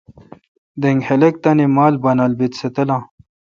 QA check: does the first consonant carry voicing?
yes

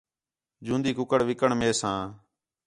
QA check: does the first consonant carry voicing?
yes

